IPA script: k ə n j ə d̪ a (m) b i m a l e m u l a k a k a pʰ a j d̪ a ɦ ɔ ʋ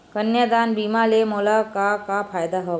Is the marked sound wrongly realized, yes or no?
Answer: yes